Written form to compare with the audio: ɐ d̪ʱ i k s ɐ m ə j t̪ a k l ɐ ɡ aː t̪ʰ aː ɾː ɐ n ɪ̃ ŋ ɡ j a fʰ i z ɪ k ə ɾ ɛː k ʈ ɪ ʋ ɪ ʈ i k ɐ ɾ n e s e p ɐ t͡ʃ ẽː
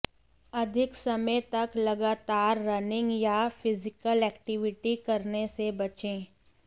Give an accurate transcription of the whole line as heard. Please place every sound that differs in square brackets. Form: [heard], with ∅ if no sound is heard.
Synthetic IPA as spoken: ɐ d̪ʱ [ɪ] k s ɐ m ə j t̪ [ɐ] k l ɐ ɡ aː [t̪] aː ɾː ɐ n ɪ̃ ŋ ɡ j a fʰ [ɪ] z ɪ k ə [l] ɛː k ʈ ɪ ʋ ɪ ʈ i k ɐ ɾ n e s e [b] ɐ t͡ʃ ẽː